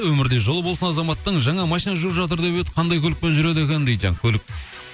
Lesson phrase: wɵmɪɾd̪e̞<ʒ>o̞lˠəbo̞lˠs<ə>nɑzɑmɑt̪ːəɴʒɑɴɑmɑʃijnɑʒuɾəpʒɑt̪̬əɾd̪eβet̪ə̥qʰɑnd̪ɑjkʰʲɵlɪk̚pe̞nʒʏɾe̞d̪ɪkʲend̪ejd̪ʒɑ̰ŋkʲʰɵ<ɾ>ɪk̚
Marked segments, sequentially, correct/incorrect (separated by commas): correct, correct, incorrect